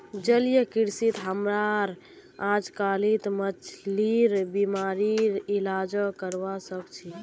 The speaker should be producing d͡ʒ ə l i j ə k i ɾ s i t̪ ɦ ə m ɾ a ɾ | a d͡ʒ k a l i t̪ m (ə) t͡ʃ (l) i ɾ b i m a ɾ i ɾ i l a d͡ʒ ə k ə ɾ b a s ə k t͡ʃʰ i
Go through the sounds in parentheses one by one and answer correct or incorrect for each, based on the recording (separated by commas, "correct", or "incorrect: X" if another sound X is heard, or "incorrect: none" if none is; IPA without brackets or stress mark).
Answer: correct, correct